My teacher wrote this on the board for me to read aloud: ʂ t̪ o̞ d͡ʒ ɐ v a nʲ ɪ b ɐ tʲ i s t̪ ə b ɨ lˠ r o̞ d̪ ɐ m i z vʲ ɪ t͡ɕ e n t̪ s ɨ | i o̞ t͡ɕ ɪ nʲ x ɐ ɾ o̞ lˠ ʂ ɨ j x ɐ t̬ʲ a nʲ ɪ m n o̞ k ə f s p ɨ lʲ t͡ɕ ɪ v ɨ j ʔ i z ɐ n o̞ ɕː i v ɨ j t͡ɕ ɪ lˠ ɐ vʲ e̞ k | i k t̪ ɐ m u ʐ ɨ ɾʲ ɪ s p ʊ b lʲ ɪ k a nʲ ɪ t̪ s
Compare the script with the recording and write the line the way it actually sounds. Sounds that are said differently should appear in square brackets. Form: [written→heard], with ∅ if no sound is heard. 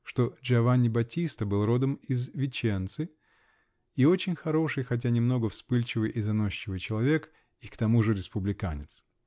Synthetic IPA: ʂ t̪ o̞ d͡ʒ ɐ v a nʲ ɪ b ɐ tʲ i s t̪ ə b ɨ lˠ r o̞ d̪ [ɐ→ə] m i z vʲ ɪ t͡ɕ e n t̪ s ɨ | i o̞ t͡ɕ ɪ nʲ x ɐ ɾ o̞ [lˠ→∅] ʂ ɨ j x ɐ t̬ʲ a nʲ ɪ m n o̞ [k→ɡ] ə f s p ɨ lʲ t͡ɕ ɪ v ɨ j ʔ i z ɐ n o̞ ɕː [i→ɪ] v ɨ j t͡ɕ ɪ lˠ ɐ vʲ e̞ k | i k t̪ ɐ m u ʐ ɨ ɾʲ ɪ s p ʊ b lʲ ɪ k a nʲ ɪ t̪ s